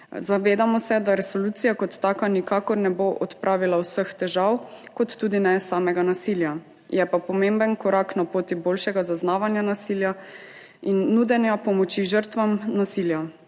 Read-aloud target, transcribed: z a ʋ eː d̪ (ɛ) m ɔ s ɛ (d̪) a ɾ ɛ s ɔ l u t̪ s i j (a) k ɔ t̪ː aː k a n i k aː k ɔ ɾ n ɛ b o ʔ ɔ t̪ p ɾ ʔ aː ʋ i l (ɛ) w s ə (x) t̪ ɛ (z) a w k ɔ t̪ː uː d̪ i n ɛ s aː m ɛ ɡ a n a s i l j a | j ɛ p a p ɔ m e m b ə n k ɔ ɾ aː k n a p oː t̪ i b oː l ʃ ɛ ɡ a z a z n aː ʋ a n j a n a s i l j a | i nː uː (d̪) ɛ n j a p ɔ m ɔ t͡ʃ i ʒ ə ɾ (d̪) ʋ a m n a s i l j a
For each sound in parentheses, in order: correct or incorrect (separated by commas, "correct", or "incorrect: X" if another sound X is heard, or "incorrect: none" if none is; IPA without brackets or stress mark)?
incorrect: a, correct, correct, incorrect: a, correct, incorrect: ʒ, correct, incorrect: t̪